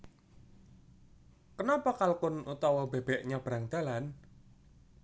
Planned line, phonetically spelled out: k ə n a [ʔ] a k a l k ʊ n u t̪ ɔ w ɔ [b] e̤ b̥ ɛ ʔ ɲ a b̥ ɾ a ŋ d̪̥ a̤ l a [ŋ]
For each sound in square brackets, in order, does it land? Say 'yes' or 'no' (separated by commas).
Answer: no, yes, no